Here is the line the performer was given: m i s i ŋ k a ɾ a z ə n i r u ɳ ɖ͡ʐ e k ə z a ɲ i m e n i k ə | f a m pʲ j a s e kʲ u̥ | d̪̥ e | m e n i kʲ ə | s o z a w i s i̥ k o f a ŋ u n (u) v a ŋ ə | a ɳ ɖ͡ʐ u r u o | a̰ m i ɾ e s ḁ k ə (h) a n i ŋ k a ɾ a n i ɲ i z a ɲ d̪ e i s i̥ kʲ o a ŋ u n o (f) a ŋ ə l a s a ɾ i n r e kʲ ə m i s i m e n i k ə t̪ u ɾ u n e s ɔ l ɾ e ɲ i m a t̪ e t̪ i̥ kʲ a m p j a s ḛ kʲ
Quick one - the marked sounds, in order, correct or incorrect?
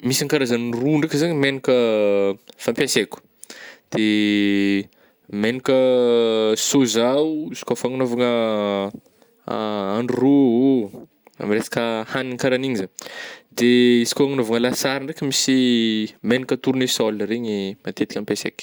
incorrect: o, correct, incorrect: v

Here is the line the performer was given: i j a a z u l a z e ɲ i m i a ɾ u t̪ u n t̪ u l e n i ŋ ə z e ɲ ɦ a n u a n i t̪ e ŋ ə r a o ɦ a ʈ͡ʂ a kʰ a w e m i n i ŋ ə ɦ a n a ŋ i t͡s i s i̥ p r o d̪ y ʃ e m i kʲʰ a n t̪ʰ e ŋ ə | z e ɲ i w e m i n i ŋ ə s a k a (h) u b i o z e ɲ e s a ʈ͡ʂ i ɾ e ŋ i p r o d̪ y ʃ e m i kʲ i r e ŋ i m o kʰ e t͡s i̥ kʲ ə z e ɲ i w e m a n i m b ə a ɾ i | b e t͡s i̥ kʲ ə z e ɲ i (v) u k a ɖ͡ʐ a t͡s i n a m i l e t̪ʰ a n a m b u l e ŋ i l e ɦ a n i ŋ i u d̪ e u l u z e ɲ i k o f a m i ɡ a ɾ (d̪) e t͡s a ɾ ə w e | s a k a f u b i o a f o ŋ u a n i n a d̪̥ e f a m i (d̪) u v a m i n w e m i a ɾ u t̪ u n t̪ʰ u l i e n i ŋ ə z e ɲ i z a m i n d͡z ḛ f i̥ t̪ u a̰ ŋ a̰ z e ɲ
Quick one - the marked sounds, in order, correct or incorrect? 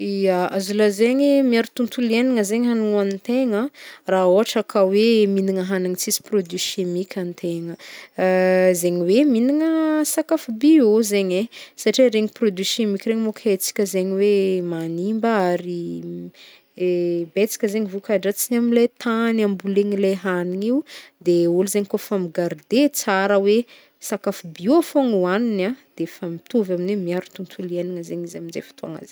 incorrect: f, correct, correct, incorrect: t̪

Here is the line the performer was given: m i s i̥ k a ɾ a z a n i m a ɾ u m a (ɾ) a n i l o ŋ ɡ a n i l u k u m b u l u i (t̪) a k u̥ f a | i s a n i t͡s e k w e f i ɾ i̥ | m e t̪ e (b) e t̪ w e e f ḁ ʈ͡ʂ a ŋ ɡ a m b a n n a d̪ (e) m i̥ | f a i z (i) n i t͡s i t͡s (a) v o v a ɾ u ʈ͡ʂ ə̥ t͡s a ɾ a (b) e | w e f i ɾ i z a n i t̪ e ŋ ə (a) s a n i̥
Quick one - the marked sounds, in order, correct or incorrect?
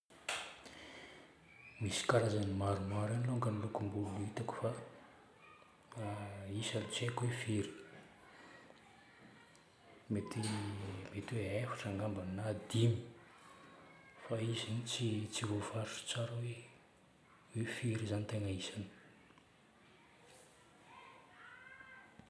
correct, correct, incorrect: m, incorrect: i, correct, incorrect: i, incorrect: w, incorrect: i

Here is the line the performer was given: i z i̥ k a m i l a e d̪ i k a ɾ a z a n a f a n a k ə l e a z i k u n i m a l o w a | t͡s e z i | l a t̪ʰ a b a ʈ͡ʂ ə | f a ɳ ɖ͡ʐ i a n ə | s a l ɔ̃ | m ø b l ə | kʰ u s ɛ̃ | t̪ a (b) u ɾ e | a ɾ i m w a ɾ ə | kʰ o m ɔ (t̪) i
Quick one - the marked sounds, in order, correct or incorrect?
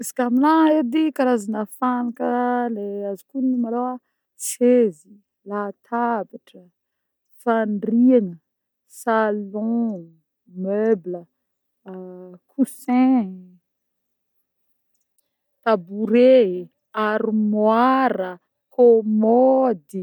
correct, incorrect: d̪

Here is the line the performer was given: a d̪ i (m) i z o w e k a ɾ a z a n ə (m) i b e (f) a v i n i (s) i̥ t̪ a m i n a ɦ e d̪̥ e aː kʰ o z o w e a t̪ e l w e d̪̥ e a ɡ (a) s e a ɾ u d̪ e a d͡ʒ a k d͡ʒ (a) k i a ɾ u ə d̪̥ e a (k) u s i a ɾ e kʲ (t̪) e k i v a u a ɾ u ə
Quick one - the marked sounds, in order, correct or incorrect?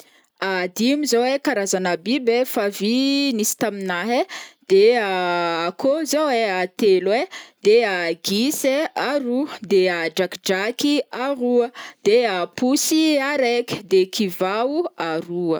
correct, incorrect: b, correct, correct, incorrect: i, correct, incorrect: p, incorrect: d̪

